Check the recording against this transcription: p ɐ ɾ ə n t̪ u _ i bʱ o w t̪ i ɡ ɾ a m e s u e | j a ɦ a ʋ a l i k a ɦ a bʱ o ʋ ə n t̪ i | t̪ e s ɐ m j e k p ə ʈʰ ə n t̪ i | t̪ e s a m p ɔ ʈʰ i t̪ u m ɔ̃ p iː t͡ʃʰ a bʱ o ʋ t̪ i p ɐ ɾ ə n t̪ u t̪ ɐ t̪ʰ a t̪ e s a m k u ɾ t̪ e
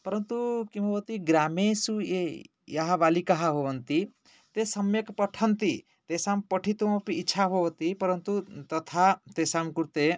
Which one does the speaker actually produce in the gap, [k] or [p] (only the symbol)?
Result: k